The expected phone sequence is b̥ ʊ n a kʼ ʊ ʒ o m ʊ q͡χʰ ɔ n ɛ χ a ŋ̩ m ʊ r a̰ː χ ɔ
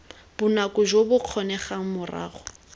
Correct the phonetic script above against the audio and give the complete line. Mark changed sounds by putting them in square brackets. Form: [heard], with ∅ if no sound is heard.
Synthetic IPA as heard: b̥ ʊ n a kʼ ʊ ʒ o [b] ʊ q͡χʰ ɔ n ɛ χ a ŋ̩ m ʊ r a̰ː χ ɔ